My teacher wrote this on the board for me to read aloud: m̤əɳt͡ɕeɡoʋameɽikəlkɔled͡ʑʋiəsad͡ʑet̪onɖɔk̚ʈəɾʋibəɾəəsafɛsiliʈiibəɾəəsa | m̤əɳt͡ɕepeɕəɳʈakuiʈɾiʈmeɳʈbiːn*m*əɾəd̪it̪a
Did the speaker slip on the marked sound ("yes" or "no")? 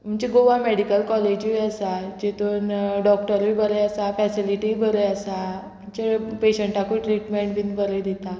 yes